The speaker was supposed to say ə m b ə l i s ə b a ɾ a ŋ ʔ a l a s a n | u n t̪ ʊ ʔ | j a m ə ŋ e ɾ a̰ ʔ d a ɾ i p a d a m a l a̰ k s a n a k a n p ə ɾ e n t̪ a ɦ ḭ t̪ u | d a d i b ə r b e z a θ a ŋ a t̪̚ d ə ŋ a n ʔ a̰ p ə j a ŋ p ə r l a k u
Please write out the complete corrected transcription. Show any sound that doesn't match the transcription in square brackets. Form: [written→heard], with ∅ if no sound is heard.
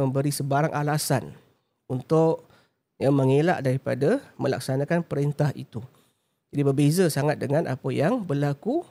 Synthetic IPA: ə m b ə [l→ɾ] i s ə b a ɾ a ŋ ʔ a l a s a n | u n t̪ ʊ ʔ | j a m ə ŋ e [ɾ→l] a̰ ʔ d a ɾ i p a d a m [a→ə] l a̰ k s a n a k a n p ə ɾ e n t̪ a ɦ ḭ t̪ u | [d→d͡ʒ] a d i b ə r b e z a [θ→s] a ŋ a t̪̚ d ə ŋ a n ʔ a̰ p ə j a ŋ [p→b] ə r l a k u